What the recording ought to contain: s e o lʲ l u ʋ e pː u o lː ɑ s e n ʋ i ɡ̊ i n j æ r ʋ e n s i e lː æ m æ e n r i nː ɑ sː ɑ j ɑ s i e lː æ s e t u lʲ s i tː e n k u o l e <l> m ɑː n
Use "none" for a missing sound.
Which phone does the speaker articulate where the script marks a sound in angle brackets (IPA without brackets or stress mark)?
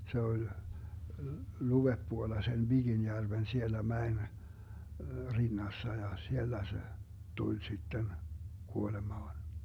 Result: none